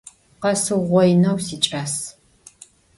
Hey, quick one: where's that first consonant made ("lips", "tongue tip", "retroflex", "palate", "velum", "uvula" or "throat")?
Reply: uvula